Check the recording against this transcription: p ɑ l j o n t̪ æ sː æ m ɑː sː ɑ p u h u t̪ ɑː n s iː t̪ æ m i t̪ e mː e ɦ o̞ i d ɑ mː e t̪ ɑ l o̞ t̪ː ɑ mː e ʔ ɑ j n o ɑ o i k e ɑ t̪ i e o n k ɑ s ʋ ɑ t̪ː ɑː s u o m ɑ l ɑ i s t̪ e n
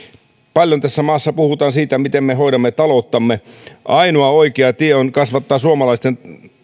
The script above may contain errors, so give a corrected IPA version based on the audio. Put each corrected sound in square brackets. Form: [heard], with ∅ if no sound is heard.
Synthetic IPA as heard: p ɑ l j o n t̪ æ sː æ m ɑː sː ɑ p u h u t̪ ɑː n s iː t̪ æ m i t̪ e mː e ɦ o̞ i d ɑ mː e t̪ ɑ l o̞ t̪ː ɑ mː e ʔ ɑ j n o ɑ o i k e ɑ t̪ i e o n k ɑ s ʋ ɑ t̪ː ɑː s u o m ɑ l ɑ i s t̪ e n